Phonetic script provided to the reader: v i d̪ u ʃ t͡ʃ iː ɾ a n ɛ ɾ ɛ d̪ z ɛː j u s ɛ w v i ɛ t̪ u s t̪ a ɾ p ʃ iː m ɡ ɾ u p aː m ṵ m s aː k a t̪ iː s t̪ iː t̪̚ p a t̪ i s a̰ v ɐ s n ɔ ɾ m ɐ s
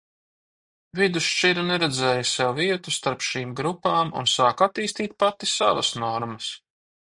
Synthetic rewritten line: v i d̪ u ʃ t͡ʃ i ɾ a n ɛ ɾ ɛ d̪ z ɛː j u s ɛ w v i ɛ t̪ u s t̪ a ɾ p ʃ iː m ɡ ɾ u p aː m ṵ n s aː k a t̪ iː s t̪ iː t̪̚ p a t̪ i s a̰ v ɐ s n ɔ ɾ m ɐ s